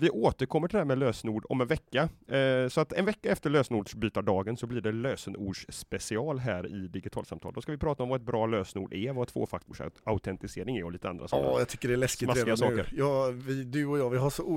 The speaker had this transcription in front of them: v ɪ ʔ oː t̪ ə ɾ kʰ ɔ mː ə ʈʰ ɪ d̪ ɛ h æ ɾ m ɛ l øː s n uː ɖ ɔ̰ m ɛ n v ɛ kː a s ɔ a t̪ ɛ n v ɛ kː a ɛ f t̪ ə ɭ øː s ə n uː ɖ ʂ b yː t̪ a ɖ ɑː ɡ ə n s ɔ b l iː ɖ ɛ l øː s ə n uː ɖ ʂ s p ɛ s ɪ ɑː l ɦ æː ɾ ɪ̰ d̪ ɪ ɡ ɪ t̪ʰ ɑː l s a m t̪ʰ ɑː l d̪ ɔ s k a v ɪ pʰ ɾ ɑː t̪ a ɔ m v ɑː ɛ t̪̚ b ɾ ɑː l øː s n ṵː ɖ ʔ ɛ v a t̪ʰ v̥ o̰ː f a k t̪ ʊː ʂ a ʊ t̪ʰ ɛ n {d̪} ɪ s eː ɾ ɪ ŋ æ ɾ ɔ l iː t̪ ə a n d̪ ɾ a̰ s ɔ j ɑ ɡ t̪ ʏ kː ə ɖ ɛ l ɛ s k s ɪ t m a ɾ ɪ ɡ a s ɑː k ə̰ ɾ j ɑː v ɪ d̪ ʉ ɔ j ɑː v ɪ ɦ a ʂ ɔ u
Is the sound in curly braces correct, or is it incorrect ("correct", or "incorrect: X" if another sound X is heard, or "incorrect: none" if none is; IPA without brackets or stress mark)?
incorrect: t̪